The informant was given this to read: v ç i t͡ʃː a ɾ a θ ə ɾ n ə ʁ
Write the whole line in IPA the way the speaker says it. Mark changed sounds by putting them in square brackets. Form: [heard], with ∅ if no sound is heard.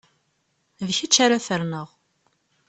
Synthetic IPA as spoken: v ç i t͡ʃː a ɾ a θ ə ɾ n ə ʁ